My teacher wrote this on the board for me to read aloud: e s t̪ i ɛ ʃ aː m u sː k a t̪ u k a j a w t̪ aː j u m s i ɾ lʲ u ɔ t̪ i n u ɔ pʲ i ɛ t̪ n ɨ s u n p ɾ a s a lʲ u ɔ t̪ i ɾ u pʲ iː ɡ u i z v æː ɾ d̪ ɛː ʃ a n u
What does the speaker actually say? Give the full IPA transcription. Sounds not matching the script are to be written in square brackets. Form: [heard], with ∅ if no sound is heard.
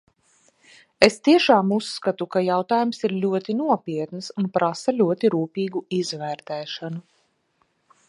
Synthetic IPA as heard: e s t̪ i ɛ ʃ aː m u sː k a t̪ u k a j a w t̪ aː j u m s i ɾ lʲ u ɔ t̪ i n u ɔ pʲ i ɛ t̪ n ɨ s u n p ɾ a s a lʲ u ɔ t̪ i ɾ [uː] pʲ iː ɡ u i z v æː ɾ [t̪] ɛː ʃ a n u

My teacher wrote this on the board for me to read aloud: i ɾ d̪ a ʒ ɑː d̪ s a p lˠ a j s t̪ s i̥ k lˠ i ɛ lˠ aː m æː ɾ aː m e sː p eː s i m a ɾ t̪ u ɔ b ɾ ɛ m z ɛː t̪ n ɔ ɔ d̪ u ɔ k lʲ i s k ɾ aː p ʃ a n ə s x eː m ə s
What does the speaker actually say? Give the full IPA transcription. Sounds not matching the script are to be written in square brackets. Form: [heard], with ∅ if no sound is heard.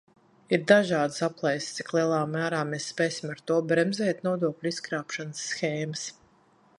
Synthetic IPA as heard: i ɾ d̪ a ʒ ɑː d̪ s a p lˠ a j s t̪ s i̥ k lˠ i ɛ lˠ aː m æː ɾ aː m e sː p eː s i m a ɾ t̪ u ɔ b ɾ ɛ m z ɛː t̪ n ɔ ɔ d̪ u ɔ k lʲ i s k ɾ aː p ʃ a n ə [sː] x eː m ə s

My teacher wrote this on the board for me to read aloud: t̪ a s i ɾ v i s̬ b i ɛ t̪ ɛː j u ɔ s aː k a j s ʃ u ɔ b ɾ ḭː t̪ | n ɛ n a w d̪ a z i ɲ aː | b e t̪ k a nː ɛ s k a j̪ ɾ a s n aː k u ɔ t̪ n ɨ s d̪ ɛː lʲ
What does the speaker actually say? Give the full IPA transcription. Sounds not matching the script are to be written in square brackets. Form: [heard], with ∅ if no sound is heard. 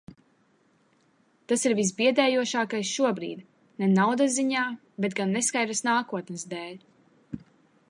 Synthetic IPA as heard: t̪ a s i ɾ v i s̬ b i ɛ [d̪] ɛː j u ɔ [ʃ] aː k a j s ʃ u ɔ b ɾ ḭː [d̪] | n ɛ n a w d̪ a z i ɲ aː | b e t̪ [ɡ] a nː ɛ s k a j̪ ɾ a s n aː k u ɔ t̪ n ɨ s d̪ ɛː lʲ

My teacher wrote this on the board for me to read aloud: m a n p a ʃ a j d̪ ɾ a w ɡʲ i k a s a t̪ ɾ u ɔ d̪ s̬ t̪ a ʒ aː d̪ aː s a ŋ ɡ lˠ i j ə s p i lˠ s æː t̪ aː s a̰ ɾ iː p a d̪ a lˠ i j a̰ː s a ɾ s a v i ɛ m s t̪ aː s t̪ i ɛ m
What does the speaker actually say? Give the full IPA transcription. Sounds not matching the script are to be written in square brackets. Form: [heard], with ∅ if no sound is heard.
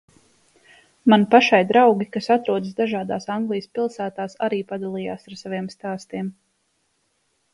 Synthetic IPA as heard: m a n p a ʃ a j d̪ ɾ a w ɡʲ i k a s a t̪ ɾ u ɔ d̪ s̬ [d̪] a ʒ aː d̪ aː s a ŋ ɡ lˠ i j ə s p i lˠ s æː t̪ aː s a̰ ɾ iː p a d̪ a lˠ i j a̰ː s a ɾ s a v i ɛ m s t̪ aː s t̪ i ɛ m

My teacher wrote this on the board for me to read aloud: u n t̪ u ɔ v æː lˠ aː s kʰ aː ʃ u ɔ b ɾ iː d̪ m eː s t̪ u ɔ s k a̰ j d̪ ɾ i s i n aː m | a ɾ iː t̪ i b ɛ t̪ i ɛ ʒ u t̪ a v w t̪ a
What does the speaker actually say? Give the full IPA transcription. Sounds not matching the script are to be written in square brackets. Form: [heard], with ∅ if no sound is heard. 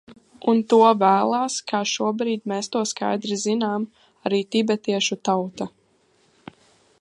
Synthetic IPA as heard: u n t̪ u ɔ v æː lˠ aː s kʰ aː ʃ u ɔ b ɾ iː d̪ m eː s t̪ u ɔ s k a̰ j d̪ ɾ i [z] i n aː m | a ɾ iː t̪ i b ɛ t̪ i ɛ [ʃ] u t̪ a [∅] w t̪ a

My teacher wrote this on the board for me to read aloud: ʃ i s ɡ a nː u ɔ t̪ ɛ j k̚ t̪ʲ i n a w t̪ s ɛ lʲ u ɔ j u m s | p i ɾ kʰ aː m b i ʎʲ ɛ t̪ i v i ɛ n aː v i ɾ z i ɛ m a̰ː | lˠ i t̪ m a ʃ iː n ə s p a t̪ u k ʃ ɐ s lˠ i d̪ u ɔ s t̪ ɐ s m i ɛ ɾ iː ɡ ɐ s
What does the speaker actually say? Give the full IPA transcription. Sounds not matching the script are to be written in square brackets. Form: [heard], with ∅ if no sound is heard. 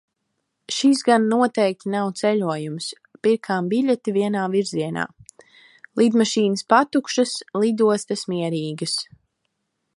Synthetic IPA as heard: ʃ i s ɡ a nː u ɔ t̪ ɛ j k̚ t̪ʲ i n a w t̪ s ɛ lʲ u ɔ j u m s | p i ɾ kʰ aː m b i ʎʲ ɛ t̪ i v i ɛ n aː v i ɾ z i ɛ [n] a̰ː | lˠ i [d̪] m a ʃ iː n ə s p a t̪ u k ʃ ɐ s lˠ i d̪ u ɔ s t̪ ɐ s m i ɛ ɾ iː ɡ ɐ s

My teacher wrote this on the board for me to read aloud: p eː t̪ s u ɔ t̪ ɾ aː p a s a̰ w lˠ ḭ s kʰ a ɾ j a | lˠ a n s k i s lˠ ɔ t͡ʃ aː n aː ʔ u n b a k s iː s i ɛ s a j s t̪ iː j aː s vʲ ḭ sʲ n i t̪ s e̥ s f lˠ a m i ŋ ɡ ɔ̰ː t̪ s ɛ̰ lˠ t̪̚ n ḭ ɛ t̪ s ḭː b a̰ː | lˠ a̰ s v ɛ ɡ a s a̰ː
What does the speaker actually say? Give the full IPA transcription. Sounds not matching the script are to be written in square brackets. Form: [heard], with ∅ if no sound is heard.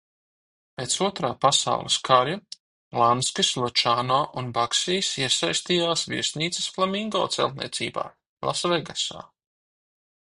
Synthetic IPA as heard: p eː t̪ s u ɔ t̪ ɾ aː p a s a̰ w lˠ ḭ s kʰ a ɾ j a | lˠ a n s k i s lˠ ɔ t͡ʃ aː n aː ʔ u n b a k s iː s i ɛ s a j s t̪ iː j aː s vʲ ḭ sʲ n [iː] t̪ s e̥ s f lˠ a m i ŋ ɡ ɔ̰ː t̪ s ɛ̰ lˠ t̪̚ n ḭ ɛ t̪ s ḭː b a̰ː | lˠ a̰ s v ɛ ɡ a s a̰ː

